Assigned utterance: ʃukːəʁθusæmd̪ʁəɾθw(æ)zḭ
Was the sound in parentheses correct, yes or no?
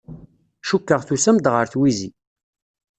no